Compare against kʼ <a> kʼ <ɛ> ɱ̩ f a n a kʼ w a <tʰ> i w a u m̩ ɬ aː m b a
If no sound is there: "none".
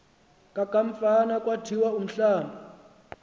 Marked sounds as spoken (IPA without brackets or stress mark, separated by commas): a, a, tʰ